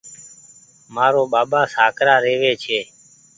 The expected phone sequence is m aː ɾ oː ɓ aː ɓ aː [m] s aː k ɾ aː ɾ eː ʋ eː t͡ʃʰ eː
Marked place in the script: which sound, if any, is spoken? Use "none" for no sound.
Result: none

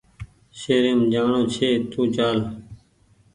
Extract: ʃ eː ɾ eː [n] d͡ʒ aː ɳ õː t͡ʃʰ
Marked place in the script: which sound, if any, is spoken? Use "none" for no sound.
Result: m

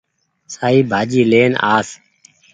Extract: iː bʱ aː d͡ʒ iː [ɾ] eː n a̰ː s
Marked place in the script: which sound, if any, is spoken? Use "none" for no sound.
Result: l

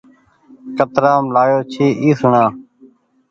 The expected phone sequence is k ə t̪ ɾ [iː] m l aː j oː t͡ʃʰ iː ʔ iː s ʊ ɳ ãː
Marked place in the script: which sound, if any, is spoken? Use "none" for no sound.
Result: aː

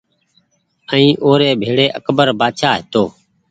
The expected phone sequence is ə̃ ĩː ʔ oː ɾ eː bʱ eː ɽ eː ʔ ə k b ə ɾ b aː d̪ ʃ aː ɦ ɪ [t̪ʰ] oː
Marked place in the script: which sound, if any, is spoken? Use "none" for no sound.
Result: t̪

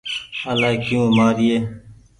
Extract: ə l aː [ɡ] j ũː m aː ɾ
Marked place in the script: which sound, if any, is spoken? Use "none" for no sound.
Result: k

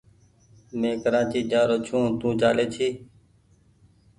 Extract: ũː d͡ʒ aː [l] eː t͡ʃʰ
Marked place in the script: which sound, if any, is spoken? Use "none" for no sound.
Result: l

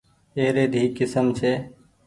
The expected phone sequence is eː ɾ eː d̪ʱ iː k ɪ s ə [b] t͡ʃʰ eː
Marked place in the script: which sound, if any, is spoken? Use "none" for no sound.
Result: m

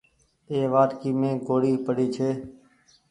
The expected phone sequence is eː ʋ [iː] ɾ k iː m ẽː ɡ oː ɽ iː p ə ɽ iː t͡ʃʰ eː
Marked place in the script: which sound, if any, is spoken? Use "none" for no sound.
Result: aː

